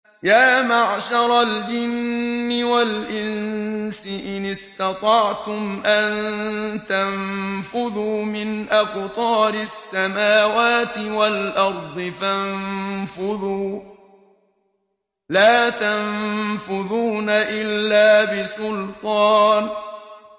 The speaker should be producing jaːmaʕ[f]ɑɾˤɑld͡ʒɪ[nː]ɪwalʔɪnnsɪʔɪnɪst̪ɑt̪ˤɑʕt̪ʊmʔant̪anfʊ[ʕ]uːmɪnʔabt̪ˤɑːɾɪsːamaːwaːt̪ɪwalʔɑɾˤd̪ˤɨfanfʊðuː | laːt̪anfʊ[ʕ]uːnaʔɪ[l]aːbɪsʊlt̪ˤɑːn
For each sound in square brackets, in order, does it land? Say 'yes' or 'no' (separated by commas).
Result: no, yes, no, no, no